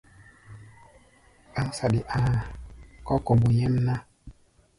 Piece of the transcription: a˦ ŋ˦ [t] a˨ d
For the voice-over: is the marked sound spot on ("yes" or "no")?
no